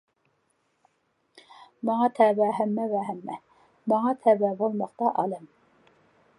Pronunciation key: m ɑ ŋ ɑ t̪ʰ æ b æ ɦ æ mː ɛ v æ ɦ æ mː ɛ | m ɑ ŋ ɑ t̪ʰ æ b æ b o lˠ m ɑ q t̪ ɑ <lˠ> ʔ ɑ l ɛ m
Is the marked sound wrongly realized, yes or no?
yes